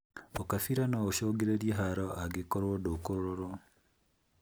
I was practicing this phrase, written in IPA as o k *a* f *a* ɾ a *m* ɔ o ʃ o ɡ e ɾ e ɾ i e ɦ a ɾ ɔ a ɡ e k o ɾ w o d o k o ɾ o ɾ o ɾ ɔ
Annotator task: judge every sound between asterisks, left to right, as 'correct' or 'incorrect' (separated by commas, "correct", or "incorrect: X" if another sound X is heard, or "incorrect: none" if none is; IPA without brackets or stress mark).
correct, incorrect: i, incorrect: n